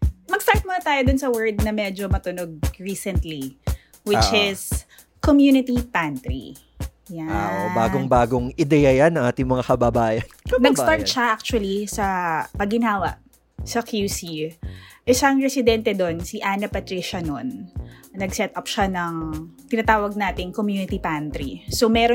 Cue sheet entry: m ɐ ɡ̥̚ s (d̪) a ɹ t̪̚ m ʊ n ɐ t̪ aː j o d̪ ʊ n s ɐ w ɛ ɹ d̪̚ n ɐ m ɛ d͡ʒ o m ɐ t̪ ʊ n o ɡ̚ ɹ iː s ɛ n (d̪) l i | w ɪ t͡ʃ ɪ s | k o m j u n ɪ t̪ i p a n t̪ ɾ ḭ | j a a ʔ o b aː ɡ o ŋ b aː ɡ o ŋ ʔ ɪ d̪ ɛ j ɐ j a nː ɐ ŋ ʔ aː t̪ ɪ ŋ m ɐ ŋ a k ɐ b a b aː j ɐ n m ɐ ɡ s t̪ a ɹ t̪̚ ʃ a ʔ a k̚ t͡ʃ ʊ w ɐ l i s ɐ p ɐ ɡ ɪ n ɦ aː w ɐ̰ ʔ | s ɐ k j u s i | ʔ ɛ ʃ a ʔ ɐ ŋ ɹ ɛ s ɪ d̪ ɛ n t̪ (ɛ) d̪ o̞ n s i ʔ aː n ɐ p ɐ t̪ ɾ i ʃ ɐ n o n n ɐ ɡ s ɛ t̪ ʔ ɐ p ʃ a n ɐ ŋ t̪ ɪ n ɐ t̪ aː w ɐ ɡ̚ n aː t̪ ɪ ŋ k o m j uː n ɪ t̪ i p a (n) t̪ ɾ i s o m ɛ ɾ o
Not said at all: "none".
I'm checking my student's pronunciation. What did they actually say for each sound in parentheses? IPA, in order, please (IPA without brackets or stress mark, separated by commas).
t̪, t̪, ɛ, n